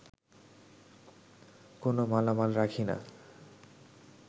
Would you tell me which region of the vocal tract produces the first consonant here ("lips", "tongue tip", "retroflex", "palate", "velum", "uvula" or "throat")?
velum